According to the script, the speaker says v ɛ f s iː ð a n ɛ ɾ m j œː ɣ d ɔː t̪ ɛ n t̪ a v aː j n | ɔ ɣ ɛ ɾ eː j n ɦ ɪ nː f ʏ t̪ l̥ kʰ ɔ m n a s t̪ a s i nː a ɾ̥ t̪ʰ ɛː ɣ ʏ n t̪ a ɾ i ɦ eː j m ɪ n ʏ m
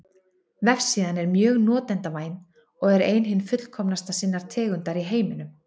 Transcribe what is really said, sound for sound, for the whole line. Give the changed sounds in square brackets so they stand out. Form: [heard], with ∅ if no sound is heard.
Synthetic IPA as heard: v ɛ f s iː ð a n ɛ ɾ m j œː ɣ [n] ɔː t̪ ɛ n t̪ a v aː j n | ɔ ɣ ɛ ɾ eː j n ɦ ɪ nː f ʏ t̪ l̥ kʰ ɔ m n a s t̪ a s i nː a ɾ̥ t̪ʰ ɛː ɣ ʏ n t̪ a ɾ i ɦ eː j m ɪ n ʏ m